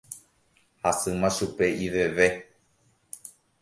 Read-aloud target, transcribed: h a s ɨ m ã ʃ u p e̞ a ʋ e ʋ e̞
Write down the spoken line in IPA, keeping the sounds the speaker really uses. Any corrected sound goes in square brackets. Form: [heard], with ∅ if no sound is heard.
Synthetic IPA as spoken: h a s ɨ m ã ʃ u p e̞ [i] ʋ e ʋ e̞